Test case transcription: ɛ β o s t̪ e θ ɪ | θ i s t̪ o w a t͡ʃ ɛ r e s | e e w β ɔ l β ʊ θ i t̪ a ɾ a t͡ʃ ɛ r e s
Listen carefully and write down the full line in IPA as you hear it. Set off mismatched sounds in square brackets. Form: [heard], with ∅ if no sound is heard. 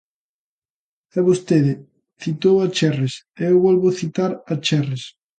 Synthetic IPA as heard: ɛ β o s t̪ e [ð] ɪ | θ i [∅] t̪ o w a t͡ʃ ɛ r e s | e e w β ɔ l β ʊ θ i t̪ a ɾ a t͡ʃ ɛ r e s